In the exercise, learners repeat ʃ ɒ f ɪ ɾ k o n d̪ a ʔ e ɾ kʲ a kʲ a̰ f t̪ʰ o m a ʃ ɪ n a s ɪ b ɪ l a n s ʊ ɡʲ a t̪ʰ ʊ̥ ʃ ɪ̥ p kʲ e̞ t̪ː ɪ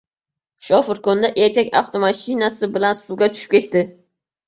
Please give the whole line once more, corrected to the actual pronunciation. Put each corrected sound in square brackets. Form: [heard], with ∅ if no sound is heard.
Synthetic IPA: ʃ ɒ f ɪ ɾ k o n d̪ a ʔ e ɾ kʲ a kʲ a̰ f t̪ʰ o m a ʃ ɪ n a s ɪ b ɪ l a n s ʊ ɡʲ a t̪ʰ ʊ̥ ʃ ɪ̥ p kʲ e̞ t̪ː ɪ

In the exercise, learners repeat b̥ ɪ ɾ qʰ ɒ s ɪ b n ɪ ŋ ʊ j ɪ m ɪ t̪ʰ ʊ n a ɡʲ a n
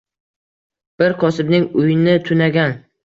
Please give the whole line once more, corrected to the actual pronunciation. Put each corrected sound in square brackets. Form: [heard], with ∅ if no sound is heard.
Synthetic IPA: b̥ ɪ ɾ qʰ ɒ s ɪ b n ɪ ŋ ʊ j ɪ [n] ɪ t̪ʰ ʊ n a ɡʲ a n

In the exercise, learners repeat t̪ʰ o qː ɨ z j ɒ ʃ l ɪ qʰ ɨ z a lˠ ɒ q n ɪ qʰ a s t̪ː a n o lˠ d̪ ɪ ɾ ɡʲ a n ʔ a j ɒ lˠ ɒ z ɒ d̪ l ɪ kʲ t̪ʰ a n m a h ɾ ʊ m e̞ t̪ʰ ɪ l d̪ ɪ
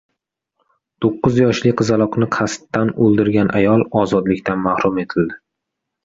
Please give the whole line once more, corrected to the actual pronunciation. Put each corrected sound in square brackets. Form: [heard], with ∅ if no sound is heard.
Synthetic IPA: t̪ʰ o qː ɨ z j ɒ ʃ l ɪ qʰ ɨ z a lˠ ɒ q n ɪ qʰ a s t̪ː a n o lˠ d̪ ɪ ɾ ɡʲ a n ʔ a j ɒ lˠ ɒ z ɒ d̪ l ɪ kʲ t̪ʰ a n m a h ɾ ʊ m e̞ t̪ʰ ɪ l d̪ ɪ

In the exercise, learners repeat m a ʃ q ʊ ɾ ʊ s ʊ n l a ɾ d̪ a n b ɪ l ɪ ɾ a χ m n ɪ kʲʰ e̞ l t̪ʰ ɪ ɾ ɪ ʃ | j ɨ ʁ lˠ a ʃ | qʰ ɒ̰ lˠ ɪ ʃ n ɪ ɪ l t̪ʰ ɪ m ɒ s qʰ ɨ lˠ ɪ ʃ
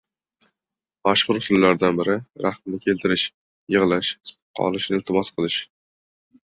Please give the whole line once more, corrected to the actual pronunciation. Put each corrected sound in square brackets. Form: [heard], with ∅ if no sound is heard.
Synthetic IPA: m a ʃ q ʊ ɾ ʊ s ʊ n l a ɾ d̪ a n b ɪ [ɾ] ɪ ɾ a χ m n ɪ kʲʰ e̞ l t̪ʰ ɪ ɾ ɪ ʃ | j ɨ ʁ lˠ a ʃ | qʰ ɒ̰ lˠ ɪ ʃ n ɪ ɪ l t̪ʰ ɪ m ɒ s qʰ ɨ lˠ ɪ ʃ

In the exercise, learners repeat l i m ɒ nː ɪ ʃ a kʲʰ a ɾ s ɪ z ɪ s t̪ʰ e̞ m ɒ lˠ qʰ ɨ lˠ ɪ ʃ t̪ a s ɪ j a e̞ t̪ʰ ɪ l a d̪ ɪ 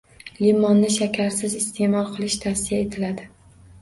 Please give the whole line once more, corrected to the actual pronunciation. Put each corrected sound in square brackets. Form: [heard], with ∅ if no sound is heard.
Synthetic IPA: l i m ɒ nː ɪ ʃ a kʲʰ a ɾ s ɪ z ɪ s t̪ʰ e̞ m ɒ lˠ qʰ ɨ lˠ ɪ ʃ [t̪ʰ] a s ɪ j a e̞ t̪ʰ ɪ l a d̪ ɪ

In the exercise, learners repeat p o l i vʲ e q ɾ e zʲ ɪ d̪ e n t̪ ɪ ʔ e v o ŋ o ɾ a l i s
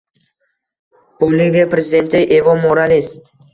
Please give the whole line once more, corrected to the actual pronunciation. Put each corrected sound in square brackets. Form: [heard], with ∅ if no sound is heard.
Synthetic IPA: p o l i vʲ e [p] ɾ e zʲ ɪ d̪ e n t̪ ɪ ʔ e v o [m] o ɾ a l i s

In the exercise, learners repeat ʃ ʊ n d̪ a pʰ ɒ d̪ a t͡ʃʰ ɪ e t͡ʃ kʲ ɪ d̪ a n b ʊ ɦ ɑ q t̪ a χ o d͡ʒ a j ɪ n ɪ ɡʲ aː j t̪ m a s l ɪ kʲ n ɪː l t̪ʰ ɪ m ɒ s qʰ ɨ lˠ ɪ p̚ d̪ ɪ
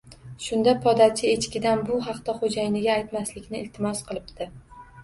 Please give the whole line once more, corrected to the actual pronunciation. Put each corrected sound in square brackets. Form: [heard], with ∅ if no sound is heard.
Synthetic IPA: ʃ ʊ n d̪ a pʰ ɒ d̪ a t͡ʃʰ ɪ e t͡ʃ kʲ ɪ d̪ a n b ʊ ɦ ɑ q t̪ a χ o d͡ʒ a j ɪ n ɪ ɡʲ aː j t̪ m a s l ɪ kʲ n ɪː l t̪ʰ ɪ m ɒ s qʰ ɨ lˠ ɪ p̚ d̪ ɪ

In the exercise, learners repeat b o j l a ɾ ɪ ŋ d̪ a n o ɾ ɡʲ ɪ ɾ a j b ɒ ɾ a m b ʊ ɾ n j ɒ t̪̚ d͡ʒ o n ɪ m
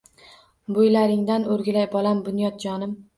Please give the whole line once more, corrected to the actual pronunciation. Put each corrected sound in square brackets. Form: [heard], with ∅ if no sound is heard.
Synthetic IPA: b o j l a ɾ ɪ ŋ d̪ a n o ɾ ɡʲ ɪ [l] a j b ɒ [l] a m b ʊ [∅] n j ɒ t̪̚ d͡ʒ [ɒ] n ɪ m

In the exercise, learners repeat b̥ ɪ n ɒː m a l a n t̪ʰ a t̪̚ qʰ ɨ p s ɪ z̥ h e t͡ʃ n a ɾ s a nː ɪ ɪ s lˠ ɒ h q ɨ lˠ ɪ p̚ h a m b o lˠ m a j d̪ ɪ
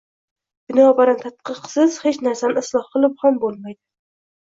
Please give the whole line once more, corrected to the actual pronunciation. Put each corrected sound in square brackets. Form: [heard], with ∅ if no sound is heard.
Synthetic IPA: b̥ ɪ n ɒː [b] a [ɾ] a n t̪ʰ a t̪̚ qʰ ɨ [q] s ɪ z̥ h e t͡ʃ n a ɾ s a [n] ɪ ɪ s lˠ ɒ h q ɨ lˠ ɪ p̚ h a m b o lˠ m a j d̪ ɪ

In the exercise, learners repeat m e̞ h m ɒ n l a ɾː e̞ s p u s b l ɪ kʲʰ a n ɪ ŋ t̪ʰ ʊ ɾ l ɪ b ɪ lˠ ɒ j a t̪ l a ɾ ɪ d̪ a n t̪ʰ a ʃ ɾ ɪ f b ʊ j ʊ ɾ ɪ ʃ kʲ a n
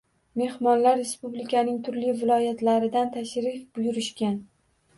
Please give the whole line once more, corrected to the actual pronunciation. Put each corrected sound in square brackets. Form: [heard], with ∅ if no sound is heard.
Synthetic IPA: m e̞ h m ɒ n l a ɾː e̞ s p u [∅] b l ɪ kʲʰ a n ɪ ŋ t̪ʰ ʊ ɾ l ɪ [v] ɪ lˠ ɒ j a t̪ l a ɾ ɪ d̪ a n t̪ʰ a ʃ ɾ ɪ f b ʊ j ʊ ɾ ɪ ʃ kʲ a n

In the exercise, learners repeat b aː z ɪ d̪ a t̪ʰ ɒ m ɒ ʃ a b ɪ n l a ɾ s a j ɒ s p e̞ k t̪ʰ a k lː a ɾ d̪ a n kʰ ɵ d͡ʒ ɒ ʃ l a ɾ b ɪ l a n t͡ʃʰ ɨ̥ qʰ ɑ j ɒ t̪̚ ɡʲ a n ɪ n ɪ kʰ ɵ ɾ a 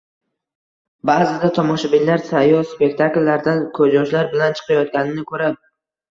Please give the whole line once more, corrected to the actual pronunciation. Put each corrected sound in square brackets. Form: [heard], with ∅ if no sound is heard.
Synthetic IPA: b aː z ɪ d̪ a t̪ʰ ɒ m ɒ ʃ a b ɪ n l a ɾ s a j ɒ s p e̞ k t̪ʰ a k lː a ɾ d̪ a n kʰ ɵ d͡ʒ ɒ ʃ l a ɾ b ɪ l a n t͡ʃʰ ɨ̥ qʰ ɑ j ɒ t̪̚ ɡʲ a n ɪ n ɪ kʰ ɵ ɾ a

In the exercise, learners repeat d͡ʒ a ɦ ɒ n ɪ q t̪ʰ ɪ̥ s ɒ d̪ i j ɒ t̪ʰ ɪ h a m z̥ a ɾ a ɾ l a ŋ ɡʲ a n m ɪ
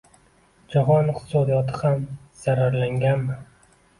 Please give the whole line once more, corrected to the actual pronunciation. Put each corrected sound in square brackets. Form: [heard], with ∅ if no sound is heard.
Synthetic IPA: d͡ʒ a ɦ ɒ n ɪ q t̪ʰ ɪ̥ s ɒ d̪ i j ɒ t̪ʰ ɪ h a m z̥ a ɾ a ɾ l a ŋ ɡʲ a n m ɪ

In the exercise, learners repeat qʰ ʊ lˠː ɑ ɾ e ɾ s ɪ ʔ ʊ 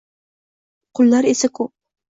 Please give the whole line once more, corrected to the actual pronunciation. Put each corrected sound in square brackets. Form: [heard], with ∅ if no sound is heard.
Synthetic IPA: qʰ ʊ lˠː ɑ ɾ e [∅] s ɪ [k] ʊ

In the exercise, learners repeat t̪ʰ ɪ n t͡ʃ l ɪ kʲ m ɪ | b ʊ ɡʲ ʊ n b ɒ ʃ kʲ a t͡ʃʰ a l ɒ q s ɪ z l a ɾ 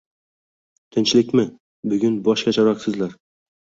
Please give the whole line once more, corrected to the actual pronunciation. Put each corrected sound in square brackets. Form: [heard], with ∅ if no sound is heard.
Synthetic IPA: t̪ʰ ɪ n t͡ʃ l ɪ kʲ m ɪ | b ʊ ɡʲ ʊ n b ɒ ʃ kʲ a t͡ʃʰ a [ɾ] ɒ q s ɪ z l a ɾ

